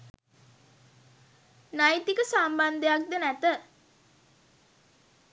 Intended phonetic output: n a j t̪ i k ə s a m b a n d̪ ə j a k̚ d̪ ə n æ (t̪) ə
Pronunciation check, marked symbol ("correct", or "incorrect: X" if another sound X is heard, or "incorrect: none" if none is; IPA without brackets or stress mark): correct